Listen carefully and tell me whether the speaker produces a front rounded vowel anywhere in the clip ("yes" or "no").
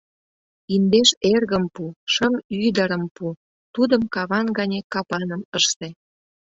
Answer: yes